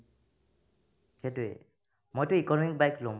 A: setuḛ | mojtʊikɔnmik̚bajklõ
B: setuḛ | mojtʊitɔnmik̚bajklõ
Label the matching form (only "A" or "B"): A